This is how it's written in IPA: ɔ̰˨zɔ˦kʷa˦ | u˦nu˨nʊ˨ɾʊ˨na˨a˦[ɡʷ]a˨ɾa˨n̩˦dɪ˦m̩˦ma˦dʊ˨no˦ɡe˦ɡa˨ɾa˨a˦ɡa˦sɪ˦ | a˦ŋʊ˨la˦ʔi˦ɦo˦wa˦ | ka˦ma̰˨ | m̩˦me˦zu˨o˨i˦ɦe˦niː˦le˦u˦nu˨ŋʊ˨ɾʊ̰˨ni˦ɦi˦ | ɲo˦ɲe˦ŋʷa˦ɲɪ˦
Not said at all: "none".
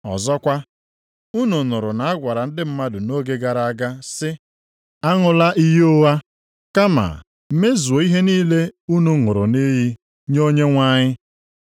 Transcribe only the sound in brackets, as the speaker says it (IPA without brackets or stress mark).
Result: ɡʷ